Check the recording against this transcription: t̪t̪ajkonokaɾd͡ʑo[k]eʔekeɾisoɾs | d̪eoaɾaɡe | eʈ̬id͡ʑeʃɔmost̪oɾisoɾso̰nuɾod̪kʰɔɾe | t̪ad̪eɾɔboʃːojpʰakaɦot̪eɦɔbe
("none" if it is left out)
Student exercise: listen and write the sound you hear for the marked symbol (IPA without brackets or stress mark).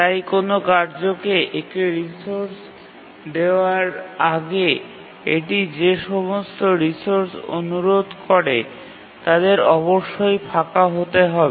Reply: k